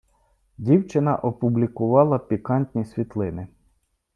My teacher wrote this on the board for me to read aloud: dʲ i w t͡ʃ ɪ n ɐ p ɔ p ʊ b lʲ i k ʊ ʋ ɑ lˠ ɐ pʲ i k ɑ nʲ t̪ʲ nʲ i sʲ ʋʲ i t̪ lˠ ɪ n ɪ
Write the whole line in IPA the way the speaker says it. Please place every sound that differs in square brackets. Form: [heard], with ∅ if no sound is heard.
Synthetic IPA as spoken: dʲ i w t͡ʃ ɪ n ɐ [ʔ] ɔ p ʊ b lʲ i k ʊ ʋ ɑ lˠ ɐ pʲ i k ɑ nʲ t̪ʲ nʲ i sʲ ʋʲ i t̪ lˠ ɪ n ɪ